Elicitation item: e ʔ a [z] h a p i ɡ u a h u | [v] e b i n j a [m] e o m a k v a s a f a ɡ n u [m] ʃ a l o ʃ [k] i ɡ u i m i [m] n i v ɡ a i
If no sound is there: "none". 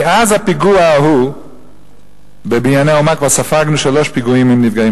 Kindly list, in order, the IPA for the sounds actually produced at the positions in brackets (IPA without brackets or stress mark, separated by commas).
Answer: z, b, n, none, p, m